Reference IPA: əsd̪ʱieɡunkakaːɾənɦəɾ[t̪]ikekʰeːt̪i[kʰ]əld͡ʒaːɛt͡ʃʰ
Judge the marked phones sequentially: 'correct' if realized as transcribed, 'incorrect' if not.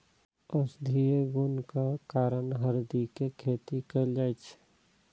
incorrect, incorrect

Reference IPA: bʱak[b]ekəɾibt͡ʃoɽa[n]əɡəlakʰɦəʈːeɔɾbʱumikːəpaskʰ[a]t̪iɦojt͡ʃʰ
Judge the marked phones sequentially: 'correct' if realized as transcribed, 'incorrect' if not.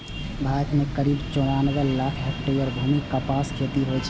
incorrect, correct, incorrect

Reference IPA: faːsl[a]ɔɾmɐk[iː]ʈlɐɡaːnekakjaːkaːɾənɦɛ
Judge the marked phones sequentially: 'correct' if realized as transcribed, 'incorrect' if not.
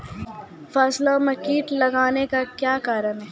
correct, correct

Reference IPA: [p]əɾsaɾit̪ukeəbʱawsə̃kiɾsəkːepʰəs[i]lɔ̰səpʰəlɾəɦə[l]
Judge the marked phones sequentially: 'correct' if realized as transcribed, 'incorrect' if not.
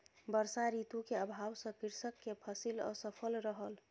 incorrect, correct, correct

